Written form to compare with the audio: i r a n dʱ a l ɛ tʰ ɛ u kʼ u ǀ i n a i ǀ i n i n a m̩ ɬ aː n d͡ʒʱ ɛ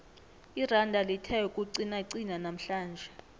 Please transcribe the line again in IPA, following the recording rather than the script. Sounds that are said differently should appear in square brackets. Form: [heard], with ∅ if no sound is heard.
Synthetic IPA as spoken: i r a n dʱ a l [i] tʰ ɛ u kʼ u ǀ i n a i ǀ i n [a] n a m̩ ɬ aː n d͡ʒʱ ɛ